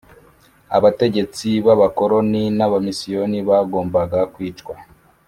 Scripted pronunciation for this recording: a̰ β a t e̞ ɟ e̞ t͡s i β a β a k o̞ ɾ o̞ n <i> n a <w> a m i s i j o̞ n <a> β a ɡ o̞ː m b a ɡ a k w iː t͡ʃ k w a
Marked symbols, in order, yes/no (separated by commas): yes, no, no